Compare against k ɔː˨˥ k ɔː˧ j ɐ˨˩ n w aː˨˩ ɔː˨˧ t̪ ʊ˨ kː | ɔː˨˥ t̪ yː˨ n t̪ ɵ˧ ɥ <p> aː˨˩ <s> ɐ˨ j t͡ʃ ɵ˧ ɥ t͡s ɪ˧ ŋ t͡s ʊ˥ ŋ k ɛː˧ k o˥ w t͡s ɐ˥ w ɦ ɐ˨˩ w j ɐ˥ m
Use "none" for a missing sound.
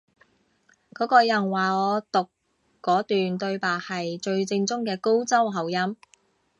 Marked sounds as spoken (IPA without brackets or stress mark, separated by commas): p, h